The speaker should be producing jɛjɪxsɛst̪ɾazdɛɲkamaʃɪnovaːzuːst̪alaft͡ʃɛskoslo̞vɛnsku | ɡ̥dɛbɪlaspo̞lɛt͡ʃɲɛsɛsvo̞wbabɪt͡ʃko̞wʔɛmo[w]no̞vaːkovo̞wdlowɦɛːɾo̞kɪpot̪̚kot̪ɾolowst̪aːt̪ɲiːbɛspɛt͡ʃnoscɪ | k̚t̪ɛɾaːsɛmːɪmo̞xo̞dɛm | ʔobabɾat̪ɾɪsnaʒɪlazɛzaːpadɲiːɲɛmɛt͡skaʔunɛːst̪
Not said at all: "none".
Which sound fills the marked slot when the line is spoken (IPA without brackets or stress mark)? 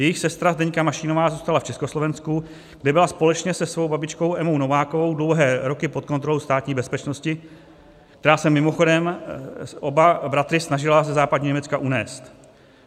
w